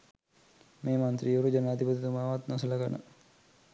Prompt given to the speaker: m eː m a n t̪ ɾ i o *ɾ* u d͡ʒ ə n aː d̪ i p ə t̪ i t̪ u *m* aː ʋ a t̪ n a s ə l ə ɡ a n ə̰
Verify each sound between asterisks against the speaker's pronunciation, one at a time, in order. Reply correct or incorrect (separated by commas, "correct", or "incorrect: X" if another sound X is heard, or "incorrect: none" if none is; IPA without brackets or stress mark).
correct, correct